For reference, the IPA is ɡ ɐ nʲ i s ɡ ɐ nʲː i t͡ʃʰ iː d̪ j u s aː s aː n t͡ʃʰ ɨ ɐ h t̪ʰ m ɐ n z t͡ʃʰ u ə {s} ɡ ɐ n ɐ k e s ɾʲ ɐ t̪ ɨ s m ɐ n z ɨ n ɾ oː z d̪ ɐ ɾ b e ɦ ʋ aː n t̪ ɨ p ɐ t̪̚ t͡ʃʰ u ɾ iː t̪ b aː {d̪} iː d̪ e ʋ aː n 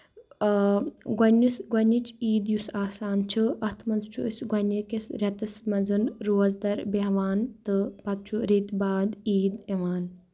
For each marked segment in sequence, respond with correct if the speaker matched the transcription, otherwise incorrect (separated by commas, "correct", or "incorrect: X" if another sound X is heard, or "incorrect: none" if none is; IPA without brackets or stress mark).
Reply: correct, correct